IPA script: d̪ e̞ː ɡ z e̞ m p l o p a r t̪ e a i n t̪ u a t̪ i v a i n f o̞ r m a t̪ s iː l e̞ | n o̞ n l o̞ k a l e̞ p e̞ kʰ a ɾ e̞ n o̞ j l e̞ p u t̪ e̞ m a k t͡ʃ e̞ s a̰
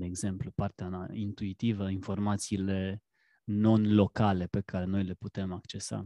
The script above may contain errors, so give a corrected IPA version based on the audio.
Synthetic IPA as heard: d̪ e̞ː ɡ z e̞ m p l u p a r t̪ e a i n t̪ u i t̪ i v ə i n f o̞ r m a t̪ s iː l e̞ | n o̞ n l o̞ k a l e̞ p e̞ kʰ a ɾ e̞ n o̞ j l e̞ p u t̪ e̞ m a k t͡ʃ e̞ s a̰